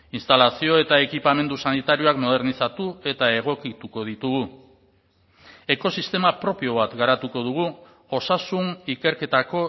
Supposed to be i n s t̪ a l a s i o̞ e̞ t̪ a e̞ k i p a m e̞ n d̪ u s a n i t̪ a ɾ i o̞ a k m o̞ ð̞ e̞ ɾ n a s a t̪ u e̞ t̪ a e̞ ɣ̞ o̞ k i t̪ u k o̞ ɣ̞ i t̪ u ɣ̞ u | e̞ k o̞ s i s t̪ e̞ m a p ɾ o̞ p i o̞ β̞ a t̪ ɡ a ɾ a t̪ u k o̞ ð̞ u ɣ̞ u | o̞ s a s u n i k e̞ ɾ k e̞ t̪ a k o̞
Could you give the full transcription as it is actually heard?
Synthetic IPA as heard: i n s t̪ a l a s i o̞ e̞ t̪ a e̞ k i p a m e̞ n d̪ u s a n i t̪ a ɾ i o̞ a k m o̞ ð̞ e̞ ɾ n i s a t̪ u e̞ t̪ a e̞ ɣ̞ o̞ k i t̪ u k o̞ ð̞ i t̪ u ɣ̞ u | e̞ k o̞ s i s t̪ e̞ m a p ɾ o̞ p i o̞ β̞ a t̪ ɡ a ɾ a t̪ u k o̞ ð̞ u ɣ̞ u | o̞ s a s u n i k e̞ ɾ k e̞ t̪ a k o̞